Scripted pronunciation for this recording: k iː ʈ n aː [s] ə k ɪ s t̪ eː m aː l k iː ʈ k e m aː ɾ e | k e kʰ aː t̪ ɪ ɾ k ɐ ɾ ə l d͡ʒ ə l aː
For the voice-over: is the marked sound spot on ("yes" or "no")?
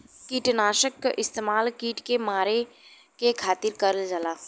no